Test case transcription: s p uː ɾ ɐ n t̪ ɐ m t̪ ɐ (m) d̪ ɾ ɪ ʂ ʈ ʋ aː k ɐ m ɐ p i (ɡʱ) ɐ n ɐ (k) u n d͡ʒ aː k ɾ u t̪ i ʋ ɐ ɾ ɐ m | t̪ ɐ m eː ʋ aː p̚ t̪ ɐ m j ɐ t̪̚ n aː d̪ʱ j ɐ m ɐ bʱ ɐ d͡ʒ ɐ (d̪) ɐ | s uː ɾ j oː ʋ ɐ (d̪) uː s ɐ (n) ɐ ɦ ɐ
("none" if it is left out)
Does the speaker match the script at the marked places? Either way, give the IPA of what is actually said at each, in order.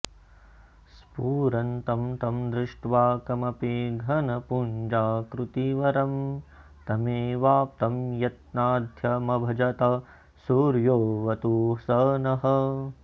m, ɡʱ, p, t̪, t̪, n

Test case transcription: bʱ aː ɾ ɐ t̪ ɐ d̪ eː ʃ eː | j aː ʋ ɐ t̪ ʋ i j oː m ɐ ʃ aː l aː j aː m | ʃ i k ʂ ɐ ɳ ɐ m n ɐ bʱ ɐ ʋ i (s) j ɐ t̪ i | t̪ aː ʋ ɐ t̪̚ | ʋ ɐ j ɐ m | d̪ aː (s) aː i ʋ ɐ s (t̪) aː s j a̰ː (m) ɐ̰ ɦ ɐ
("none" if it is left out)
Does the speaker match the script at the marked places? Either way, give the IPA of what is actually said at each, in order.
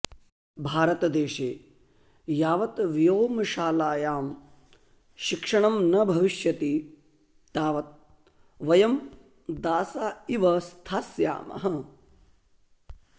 ʃ, s, t̪ʰ, m

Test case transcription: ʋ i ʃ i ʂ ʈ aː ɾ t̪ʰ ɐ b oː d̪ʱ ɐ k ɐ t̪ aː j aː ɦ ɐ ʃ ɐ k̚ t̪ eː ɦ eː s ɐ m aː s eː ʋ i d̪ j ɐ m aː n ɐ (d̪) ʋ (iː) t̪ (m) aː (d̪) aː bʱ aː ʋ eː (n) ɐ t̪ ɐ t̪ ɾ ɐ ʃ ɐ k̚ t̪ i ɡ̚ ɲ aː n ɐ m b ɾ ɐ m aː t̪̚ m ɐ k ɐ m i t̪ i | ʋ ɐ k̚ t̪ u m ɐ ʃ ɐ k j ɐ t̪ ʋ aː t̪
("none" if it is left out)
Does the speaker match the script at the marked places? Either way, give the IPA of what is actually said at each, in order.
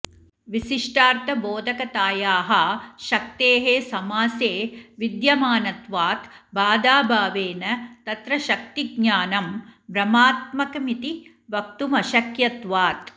t̪, aː, b, d̪, n

